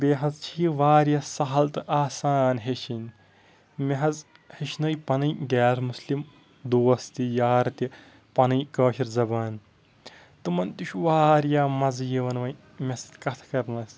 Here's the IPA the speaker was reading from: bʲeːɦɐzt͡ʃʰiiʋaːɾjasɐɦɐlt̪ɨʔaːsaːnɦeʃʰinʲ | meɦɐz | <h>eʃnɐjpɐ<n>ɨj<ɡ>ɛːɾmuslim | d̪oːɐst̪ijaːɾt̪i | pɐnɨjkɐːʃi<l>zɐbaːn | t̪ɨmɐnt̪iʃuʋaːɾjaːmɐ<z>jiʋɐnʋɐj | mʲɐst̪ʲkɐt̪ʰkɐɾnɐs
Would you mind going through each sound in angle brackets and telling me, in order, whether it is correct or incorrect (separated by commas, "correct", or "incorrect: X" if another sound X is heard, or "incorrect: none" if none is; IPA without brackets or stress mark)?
correct, correct, correct, incorrect: ɾ, correct